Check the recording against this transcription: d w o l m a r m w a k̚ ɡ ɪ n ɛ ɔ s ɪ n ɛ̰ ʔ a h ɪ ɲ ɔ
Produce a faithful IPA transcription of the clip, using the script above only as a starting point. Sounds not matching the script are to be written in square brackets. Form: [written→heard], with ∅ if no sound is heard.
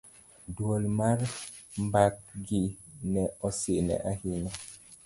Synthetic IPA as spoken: d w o l m a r m [w→b] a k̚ ɡ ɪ n ɛ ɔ s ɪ n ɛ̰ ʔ a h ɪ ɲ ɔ